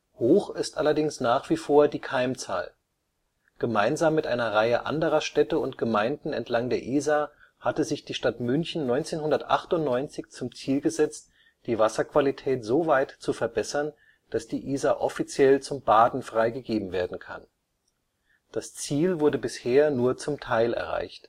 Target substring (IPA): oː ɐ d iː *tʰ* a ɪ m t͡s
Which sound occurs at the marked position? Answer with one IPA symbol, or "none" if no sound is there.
kʰ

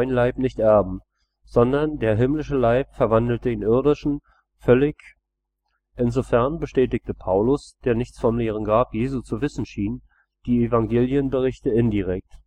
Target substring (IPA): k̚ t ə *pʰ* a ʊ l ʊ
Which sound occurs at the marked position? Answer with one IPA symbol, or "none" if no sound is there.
pʰ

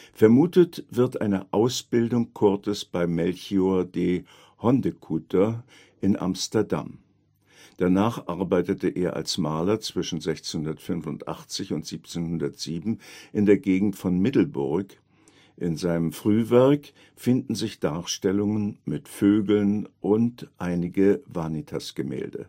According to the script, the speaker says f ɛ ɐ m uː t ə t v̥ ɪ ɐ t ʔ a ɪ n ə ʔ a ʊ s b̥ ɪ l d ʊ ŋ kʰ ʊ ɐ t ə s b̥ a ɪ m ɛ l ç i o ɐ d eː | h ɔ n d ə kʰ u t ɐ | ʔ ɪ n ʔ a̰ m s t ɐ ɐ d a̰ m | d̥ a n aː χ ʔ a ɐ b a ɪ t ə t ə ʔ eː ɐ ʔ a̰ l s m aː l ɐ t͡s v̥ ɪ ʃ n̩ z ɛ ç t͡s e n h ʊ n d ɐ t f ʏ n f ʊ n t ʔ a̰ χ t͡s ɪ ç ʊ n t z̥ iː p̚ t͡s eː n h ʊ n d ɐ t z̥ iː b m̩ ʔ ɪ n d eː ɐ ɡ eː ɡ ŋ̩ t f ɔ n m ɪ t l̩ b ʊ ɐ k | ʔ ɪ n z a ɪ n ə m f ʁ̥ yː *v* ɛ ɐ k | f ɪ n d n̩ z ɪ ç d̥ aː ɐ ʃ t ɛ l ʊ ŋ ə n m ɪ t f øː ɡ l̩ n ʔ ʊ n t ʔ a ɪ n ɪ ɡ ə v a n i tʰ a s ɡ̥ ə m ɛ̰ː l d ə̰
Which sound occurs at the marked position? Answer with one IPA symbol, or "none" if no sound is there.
v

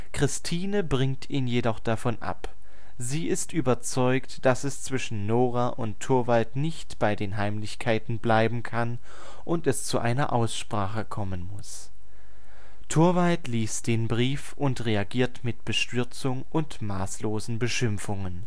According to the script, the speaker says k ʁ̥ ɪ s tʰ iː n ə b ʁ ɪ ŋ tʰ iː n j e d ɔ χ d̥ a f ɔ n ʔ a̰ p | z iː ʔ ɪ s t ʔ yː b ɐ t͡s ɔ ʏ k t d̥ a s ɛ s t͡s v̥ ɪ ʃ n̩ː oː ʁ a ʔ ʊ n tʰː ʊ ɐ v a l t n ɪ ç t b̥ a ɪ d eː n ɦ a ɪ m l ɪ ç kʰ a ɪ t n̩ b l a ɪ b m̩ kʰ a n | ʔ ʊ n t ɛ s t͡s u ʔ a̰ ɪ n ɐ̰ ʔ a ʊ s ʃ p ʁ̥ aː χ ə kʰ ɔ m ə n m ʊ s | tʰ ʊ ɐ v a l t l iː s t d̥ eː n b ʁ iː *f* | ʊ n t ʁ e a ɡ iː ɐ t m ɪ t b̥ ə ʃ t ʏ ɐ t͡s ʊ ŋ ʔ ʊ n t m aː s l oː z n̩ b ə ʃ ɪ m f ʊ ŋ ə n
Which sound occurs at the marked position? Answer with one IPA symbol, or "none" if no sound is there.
f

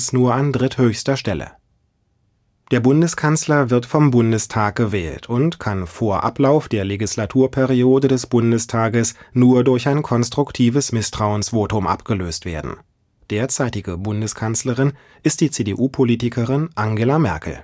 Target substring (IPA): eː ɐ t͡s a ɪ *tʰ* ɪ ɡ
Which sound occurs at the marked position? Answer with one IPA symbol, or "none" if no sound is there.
t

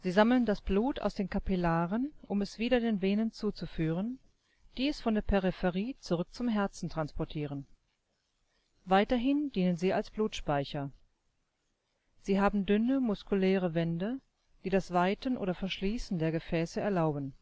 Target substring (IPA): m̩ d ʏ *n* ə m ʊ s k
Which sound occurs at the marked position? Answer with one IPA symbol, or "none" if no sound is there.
n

